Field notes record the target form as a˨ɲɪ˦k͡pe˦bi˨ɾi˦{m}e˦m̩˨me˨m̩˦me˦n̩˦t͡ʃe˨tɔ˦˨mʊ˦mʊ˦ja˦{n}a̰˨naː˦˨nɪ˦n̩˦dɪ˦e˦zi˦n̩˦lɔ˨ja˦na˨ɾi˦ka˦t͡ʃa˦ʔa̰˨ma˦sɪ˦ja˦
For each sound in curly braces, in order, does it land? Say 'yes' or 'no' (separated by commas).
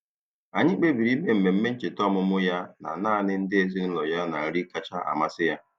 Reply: yes, yes